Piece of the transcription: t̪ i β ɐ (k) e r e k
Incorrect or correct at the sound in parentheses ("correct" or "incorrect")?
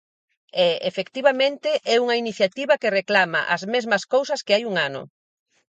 correct